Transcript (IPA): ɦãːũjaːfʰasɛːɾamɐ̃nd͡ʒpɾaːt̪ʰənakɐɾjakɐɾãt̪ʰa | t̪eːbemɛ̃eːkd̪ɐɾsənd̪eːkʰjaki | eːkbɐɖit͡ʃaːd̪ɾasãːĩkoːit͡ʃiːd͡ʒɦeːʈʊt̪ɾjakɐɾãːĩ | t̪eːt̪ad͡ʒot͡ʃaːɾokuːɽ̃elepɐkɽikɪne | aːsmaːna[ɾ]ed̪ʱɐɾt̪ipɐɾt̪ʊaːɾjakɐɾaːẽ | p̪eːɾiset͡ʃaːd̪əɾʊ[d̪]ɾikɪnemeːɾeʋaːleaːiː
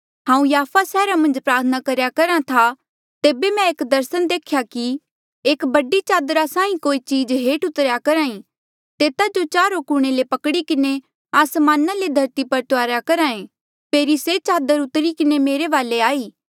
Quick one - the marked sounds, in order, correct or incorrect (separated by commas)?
incorrect, incorrect